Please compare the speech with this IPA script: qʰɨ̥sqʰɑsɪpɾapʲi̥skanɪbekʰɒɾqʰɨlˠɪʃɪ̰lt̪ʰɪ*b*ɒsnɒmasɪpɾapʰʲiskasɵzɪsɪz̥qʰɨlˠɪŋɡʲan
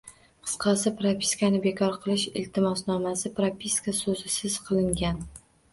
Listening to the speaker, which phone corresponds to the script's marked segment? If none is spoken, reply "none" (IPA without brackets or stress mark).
m